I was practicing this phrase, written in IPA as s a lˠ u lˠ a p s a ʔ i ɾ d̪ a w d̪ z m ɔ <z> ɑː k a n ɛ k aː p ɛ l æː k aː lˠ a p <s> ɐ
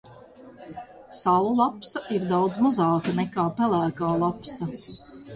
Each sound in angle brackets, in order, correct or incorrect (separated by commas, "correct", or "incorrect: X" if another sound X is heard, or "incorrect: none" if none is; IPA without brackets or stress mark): correct, correct